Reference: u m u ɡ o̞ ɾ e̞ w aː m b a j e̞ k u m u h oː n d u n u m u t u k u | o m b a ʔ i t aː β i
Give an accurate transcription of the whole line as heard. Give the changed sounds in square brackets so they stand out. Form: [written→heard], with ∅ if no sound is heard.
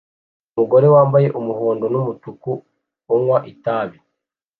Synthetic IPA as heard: u m u ɡ o̞ ɾ e̞ w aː m b a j e̞ [k→ʔ] u m u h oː n d [u→o] n u m u t u k u | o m [b→w] a ʔ i t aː β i